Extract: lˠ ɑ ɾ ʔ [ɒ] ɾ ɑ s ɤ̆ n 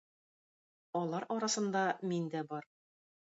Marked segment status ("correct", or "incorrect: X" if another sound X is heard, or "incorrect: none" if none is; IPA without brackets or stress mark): correct